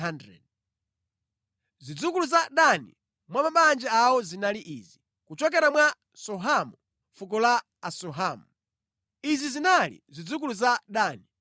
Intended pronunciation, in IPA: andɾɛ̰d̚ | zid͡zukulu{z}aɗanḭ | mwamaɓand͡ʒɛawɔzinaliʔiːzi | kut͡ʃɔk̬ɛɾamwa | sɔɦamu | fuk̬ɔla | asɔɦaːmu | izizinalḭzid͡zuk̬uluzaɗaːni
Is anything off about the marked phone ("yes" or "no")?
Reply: no